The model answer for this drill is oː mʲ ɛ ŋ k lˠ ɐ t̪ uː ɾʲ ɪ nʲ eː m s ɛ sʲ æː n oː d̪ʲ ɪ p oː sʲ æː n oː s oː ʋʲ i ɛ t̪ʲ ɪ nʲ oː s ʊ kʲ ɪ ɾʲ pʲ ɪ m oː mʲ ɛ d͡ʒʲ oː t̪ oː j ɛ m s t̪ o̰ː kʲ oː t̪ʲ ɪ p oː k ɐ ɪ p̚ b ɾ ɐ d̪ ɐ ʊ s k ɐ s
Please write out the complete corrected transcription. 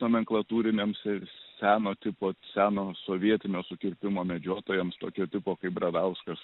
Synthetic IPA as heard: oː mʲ ɛ ŋ k lˠ ɐ t̪ uː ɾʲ ɪ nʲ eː m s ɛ sʲ æː n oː t̪ʲ ɪ p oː sʲ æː n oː s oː ʋʲ i ɛ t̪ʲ ɪ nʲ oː s ʊ kʲ ɪ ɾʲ pʲ ɪ m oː mʲ ɛ d͡ʒʲ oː t̪ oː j ɛ m s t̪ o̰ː kʲ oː t̪ʲ ɪ p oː k ɐ ɪ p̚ b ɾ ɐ d̪ ɐ ʊ s k ɐ s